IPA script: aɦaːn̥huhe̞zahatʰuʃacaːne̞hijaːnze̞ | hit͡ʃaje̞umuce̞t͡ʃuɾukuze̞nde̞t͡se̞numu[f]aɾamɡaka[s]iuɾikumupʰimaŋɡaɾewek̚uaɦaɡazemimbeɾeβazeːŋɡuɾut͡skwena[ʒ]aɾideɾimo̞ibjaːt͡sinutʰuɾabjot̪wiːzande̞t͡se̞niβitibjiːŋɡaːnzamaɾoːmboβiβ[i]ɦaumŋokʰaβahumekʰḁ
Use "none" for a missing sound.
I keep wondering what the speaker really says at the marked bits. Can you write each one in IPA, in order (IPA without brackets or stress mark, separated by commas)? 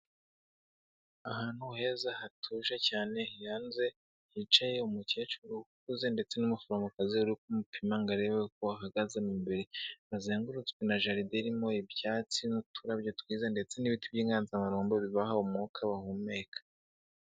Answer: f, z, ʒ, a